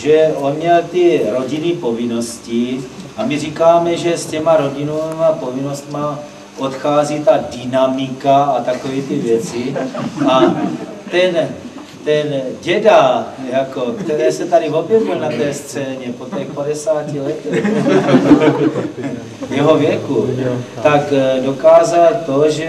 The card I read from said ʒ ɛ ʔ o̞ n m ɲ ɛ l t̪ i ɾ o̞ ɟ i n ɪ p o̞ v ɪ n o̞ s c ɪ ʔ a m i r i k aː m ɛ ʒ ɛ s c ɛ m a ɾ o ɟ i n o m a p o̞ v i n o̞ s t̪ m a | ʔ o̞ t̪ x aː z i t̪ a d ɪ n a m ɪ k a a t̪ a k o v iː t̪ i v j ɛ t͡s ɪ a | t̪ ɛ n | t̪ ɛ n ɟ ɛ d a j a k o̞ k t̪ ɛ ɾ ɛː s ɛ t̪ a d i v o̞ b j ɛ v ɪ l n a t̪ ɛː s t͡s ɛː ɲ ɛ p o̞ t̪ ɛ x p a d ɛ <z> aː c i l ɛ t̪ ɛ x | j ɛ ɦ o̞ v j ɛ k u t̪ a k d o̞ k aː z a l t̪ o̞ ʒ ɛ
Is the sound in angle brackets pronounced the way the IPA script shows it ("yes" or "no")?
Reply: no